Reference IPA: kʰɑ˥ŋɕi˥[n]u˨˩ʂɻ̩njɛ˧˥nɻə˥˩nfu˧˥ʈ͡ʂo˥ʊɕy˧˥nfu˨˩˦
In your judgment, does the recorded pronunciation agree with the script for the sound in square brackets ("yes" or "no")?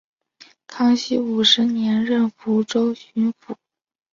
no